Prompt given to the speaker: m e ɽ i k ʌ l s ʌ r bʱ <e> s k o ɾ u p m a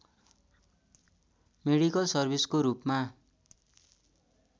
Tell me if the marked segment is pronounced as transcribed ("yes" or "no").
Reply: no